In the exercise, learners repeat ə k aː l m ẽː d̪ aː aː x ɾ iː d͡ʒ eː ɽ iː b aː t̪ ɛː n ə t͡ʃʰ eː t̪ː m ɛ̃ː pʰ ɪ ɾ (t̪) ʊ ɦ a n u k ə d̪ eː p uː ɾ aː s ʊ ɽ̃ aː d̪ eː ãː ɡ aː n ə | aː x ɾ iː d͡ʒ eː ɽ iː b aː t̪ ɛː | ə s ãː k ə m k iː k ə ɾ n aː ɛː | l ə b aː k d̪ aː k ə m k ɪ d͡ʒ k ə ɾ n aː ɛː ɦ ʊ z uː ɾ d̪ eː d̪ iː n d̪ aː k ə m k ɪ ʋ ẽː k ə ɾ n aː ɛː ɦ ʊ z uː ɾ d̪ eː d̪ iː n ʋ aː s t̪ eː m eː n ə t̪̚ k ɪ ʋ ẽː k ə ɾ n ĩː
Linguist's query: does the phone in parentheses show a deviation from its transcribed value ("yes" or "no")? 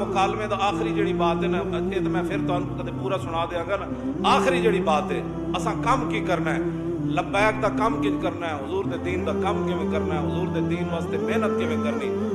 no